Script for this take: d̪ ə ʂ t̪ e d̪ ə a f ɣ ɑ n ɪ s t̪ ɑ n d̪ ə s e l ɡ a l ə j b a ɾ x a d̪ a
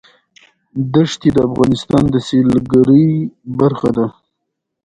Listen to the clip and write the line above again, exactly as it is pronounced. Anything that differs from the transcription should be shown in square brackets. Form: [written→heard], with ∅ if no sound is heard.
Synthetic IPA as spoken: d̪ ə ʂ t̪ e d̪ ə a f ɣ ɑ n ɪ s t̪ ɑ n d̪ ə s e l ɡ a [l→ɾ] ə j b a ɾ x a d̪ a